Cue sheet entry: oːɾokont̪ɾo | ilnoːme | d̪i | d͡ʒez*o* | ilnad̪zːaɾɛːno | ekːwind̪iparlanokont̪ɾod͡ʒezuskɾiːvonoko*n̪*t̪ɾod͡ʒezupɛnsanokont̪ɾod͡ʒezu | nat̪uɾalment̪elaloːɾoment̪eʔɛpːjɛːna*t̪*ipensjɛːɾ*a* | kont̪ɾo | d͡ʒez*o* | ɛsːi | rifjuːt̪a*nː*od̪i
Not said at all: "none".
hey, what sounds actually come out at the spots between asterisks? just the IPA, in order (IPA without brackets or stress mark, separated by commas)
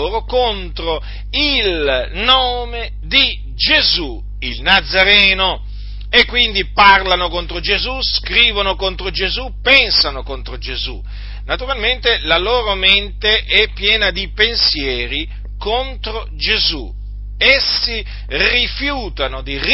u, n̪, d̪, i, u, n